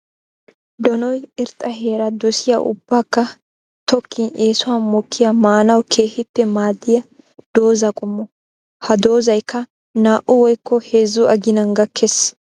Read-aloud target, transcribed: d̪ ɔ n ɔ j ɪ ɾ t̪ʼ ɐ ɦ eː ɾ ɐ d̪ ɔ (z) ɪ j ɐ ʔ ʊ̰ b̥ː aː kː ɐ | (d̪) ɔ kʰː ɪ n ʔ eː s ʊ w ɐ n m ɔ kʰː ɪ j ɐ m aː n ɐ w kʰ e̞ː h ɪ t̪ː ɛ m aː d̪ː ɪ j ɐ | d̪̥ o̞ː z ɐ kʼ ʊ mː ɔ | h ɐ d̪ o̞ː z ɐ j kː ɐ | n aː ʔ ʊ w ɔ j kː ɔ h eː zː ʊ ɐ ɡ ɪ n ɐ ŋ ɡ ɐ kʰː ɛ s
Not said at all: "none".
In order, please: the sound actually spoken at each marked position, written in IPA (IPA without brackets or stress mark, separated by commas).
s, t̪